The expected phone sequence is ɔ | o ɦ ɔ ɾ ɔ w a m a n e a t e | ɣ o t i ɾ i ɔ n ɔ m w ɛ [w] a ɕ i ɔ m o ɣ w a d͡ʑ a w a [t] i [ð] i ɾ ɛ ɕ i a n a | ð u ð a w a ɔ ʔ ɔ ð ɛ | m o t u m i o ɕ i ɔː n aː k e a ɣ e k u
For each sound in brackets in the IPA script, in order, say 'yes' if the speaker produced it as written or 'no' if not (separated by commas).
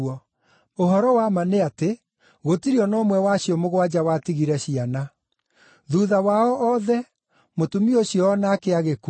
yes, yes, no